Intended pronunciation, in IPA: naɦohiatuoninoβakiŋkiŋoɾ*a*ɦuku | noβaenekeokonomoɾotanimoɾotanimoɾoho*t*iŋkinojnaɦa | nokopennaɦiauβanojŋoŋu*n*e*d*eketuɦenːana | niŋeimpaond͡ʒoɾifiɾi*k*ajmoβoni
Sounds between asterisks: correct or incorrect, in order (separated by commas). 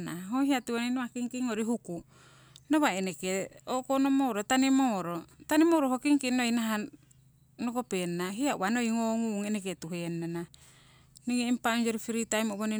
incorrect, incorrect, incorrect, incorrect, incorrect